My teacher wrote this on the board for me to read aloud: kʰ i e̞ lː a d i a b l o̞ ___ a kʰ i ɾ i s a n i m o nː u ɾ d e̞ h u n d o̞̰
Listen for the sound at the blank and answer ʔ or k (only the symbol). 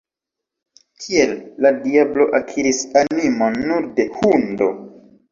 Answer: ʔ